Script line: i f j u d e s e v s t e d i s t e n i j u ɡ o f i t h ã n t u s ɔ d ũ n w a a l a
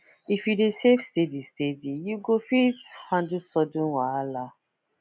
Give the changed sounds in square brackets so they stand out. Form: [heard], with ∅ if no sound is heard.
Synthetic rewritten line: i f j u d e s e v s t e d i s t e [d] i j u ɡ o f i t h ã n [d] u s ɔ d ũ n w a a l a